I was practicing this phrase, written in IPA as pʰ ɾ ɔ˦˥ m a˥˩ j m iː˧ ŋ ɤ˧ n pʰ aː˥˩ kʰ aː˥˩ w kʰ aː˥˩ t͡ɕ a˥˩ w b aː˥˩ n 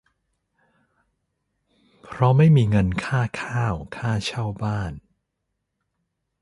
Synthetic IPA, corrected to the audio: pʰ ɾ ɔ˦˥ m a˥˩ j m iː˧ ŋ ɤ˧ n kʰ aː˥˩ kʰ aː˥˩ w kʰ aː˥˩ t͡ɕʰ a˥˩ w b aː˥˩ n